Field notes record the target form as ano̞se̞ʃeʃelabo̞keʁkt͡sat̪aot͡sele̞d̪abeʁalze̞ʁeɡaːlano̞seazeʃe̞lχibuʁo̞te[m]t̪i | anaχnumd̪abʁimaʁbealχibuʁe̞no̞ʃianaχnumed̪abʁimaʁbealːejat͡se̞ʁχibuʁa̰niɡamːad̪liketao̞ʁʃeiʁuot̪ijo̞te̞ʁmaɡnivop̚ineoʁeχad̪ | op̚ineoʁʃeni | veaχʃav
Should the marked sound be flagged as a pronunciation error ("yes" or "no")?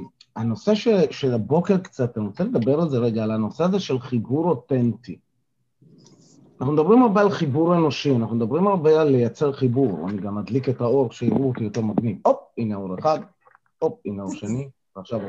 yes